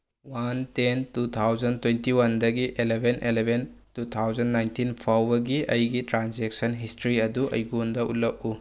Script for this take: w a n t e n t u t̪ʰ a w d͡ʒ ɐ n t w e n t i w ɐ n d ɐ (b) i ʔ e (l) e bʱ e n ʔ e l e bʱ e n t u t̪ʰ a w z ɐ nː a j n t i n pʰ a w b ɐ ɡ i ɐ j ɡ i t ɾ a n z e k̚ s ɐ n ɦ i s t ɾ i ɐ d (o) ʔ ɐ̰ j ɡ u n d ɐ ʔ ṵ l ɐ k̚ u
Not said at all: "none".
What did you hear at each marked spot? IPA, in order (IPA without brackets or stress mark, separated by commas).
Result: ɡ, l, u